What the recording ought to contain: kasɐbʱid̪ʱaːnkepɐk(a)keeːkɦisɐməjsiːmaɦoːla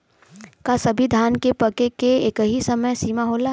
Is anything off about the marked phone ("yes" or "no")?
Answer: yes